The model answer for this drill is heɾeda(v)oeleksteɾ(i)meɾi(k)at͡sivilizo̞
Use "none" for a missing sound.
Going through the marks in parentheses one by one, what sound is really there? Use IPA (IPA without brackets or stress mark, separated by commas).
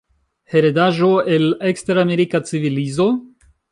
ʒ, a, k